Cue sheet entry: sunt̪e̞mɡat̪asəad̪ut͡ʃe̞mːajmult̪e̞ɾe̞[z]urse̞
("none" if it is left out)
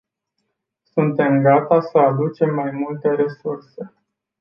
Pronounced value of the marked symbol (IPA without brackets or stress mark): s